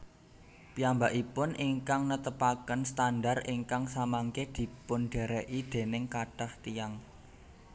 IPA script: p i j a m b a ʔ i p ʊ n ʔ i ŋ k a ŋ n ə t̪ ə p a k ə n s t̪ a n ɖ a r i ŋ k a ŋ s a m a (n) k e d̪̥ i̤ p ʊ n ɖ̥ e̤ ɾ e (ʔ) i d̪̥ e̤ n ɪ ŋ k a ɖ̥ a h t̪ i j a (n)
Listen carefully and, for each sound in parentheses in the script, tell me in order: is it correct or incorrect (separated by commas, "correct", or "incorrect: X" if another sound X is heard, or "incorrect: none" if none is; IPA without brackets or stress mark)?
incorrect: ŋ, correct, incorrect: ŋ